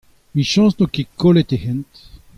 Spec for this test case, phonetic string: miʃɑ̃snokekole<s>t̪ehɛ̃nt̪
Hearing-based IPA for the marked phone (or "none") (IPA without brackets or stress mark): none